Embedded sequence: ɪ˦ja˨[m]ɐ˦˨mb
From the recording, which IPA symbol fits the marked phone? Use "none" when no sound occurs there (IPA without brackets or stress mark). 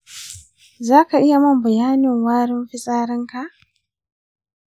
m